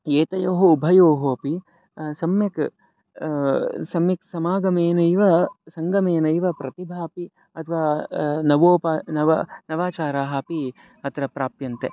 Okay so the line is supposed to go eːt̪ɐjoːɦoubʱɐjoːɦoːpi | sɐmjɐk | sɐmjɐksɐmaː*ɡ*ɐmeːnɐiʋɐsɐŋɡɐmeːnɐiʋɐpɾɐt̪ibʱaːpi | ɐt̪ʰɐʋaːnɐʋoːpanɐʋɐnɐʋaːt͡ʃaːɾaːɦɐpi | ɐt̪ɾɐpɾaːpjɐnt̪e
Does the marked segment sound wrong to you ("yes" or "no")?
no